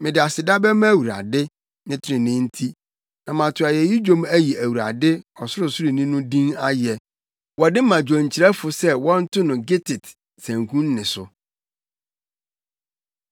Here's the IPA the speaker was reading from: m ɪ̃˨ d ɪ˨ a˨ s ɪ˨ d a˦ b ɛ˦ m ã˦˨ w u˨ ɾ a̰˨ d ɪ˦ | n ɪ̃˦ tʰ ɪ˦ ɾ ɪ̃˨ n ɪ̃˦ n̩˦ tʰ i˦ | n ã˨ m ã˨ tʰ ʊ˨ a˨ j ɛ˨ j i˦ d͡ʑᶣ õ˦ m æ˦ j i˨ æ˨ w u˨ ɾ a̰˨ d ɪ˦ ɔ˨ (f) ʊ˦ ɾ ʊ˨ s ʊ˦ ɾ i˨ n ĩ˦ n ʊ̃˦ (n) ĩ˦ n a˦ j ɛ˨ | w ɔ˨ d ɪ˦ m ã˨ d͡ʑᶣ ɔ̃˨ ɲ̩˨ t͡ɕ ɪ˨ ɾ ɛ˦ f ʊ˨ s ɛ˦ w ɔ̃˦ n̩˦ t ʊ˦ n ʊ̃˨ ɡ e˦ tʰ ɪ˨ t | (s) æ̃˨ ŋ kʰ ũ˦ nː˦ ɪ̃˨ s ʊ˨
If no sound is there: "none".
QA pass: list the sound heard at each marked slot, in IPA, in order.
s, d, s

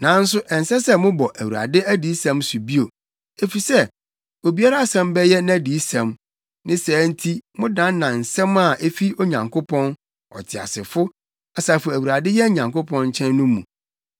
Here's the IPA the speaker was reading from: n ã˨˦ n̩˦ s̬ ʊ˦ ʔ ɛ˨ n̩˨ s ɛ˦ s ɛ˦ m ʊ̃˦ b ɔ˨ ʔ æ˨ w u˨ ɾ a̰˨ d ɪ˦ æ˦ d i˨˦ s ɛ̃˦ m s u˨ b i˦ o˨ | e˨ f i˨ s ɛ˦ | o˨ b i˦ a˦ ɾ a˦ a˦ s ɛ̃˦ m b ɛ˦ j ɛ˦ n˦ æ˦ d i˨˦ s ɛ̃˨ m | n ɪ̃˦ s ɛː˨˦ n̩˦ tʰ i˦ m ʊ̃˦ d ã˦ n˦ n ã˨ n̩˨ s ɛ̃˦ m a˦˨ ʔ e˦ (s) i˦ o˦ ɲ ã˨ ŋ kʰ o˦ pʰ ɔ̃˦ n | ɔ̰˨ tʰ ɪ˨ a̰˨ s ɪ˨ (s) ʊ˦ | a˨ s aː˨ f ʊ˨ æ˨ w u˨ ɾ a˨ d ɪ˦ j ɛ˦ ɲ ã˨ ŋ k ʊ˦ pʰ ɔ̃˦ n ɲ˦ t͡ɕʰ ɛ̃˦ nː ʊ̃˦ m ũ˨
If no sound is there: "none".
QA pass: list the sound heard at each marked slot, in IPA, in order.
f, f

